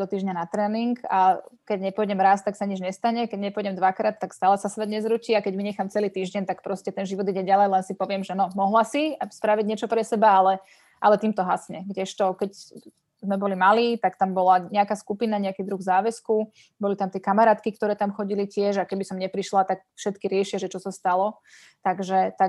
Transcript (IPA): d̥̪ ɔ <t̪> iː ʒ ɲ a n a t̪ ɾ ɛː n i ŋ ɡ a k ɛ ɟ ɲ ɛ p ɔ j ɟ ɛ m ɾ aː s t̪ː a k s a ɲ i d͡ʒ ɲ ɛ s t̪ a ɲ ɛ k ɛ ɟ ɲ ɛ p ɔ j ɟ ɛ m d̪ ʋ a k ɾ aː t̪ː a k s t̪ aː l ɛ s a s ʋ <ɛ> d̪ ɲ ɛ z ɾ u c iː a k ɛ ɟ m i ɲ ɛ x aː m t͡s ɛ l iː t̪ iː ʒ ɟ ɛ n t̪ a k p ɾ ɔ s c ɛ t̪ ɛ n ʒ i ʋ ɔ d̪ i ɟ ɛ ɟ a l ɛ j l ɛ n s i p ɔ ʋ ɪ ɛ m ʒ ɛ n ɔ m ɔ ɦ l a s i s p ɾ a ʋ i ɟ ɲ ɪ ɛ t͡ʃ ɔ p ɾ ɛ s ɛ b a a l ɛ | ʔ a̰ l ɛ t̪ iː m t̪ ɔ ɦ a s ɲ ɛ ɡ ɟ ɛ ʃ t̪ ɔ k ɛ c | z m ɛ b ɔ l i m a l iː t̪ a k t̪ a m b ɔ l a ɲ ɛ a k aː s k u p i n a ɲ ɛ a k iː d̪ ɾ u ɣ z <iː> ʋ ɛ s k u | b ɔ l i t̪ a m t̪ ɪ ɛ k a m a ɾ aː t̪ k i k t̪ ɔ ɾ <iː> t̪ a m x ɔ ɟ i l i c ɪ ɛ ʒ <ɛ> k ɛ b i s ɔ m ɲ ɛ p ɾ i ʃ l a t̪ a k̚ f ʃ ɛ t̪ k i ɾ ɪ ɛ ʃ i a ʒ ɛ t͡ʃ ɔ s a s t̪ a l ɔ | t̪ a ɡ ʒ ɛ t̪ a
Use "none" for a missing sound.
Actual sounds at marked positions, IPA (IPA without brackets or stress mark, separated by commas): t̪, ɛ, aː, ɛː, a